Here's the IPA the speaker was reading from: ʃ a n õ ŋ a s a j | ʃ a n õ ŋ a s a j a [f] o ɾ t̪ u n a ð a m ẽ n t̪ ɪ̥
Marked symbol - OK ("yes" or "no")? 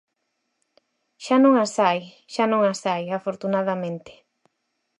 yes